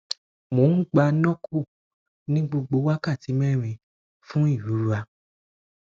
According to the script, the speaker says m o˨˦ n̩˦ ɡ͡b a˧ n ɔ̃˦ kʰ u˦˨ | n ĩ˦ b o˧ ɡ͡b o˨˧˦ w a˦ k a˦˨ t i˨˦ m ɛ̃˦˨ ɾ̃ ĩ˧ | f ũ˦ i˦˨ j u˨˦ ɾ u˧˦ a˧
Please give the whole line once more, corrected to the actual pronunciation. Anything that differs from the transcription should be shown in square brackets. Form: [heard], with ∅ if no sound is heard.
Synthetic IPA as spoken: m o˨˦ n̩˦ ɡ͡b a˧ n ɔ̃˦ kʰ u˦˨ | n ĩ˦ [ɡ͡b] o˧ ɡ͡b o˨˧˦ w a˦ k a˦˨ t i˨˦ m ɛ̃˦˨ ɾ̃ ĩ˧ | f ũ˦ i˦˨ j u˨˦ ɾ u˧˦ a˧

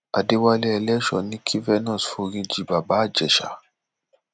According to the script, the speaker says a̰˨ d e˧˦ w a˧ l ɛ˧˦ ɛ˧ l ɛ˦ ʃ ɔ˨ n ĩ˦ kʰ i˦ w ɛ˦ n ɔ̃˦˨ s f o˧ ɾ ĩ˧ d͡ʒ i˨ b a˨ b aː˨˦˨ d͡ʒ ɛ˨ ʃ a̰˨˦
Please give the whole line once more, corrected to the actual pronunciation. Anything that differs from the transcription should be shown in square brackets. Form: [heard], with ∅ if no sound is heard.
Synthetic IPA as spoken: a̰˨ d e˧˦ w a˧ l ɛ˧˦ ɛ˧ l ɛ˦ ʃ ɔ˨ n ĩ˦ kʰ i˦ [v] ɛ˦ n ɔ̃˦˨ s f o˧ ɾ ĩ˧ d͡ʒ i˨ b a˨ b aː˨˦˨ d͡ʒ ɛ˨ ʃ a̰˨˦

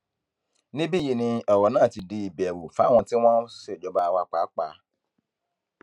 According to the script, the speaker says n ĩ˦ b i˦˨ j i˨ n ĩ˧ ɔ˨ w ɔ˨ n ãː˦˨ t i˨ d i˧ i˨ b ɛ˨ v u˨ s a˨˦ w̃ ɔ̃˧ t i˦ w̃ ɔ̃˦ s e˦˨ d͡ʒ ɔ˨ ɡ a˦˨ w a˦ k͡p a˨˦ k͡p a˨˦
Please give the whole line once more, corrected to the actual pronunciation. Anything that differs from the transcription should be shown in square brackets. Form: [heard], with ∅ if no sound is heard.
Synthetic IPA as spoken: n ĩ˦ b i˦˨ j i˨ n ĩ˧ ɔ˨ w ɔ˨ n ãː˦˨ t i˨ d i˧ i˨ b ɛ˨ [w] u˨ [f] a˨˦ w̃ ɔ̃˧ t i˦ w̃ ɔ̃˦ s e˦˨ d͡ʒ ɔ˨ [b] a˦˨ w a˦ k͡p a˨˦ k͡p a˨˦

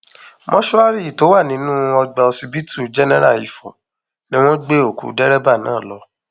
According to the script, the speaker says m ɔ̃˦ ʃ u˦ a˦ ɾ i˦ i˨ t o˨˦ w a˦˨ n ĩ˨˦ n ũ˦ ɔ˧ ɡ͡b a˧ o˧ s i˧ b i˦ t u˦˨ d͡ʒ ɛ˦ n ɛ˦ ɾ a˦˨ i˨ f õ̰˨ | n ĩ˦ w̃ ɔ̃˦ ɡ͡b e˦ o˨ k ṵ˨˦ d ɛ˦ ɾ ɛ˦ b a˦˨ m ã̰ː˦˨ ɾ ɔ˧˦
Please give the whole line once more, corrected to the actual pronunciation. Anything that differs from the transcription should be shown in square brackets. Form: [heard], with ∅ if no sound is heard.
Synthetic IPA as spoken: m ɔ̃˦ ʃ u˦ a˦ ɾ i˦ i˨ t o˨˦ w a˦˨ n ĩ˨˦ n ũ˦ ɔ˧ ɡ͡b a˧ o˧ s i˧ b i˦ t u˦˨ d͡ʒ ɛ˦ n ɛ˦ ɾ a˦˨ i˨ f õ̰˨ | n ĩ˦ w̃ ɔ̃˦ ɡ͡b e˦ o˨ k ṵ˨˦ d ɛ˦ ɾ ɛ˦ b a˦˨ [n] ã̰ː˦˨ [l] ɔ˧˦

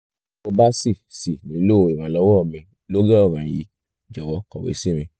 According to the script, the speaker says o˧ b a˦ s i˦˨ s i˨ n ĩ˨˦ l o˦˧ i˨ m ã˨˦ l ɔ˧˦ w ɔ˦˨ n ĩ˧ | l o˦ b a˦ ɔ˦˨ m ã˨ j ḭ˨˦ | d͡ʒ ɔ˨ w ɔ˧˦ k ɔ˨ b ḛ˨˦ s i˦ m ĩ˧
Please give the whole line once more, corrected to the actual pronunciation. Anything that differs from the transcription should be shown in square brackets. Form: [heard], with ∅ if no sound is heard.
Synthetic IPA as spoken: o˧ b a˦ s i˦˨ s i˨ n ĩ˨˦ l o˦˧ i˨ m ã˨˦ l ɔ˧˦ w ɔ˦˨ [m] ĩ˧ | l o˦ [ɡ] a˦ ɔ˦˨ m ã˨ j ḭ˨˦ | d͡ʒ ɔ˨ w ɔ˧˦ k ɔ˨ [w] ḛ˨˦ s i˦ m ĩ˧

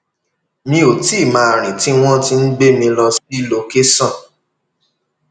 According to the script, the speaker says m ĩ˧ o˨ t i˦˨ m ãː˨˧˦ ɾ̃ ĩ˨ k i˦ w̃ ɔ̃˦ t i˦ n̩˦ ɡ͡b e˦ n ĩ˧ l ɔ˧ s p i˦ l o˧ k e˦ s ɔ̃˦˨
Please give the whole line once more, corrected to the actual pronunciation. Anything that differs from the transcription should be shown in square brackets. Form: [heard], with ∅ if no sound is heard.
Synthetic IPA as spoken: m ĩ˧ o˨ t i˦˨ m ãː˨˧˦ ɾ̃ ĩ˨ [t] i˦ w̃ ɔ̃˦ t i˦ n̩˦ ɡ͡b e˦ [m] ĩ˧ l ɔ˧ s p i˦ l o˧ k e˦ s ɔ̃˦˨

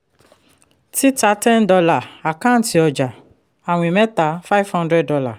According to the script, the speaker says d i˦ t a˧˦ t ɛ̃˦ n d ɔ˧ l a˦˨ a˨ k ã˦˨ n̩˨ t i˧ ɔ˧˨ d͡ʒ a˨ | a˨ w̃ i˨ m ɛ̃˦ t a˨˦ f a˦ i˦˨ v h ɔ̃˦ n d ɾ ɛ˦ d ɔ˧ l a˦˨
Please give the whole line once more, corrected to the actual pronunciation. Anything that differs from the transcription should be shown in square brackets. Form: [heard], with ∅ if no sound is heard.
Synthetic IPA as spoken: [t] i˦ t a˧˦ t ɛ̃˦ n d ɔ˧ l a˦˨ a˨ k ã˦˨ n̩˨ t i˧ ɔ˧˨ d͡ʒ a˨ | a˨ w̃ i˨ m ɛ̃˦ t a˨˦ f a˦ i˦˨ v h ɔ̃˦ n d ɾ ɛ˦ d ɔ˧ l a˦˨

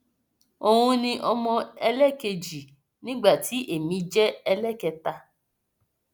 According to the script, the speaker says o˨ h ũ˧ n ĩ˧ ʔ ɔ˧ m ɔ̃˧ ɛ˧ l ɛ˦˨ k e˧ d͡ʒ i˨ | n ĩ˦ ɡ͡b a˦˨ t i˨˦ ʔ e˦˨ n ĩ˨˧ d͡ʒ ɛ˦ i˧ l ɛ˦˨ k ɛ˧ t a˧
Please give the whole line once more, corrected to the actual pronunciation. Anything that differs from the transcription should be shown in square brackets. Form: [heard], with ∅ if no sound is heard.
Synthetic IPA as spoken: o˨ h ũ˧ n ĩ˧ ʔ ɔ˧ m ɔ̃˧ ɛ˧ l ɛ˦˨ k e˧ d͡ʒ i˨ | n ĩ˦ ɡ͡b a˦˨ t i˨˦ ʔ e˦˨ [m] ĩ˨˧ d͡ʒ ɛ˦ [ɛ˧] l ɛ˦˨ k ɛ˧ t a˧

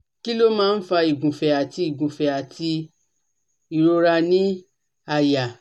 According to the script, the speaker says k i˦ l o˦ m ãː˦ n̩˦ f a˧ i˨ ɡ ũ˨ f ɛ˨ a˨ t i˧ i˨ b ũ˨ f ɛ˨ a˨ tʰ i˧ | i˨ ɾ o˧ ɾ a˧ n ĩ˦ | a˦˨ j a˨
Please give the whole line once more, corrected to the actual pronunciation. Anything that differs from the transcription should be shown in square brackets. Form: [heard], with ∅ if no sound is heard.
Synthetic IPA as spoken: k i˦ l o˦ m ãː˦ n̩˦ f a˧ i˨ ɡ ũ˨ f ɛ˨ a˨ t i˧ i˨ [ɡ] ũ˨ f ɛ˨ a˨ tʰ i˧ | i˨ ɾ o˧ ɾ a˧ n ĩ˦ | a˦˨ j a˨

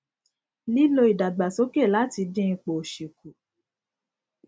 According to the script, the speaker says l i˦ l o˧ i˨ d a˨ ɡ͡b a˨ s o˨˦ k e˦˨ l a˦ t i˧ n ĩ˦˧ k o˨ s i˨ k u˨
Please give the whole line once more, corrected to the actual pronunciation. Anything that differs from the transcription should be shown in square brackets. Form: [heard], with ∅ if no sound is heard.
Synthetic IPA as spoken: l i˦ l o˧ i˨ d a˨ ɡ͡b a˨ s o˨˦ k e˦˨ l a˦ t i˧ [d] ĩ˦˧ [k͡p] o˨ [ʃ] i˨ k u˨

